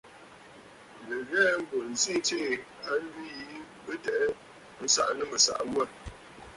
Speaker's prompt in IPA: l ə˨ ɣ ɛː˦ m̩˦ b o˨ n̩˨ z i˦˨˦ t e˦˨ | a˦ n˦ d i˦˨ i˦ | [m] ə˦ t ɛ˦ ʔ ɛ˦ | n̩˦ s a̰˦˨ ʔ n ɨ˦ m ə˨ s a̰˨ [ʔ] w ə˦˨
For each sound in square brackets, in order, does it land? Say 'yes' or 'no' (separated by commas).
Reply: no, yes